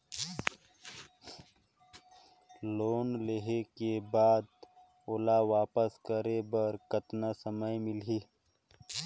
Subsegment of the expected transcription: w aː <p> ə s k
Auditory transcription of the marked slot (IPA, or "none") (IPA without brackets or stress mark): p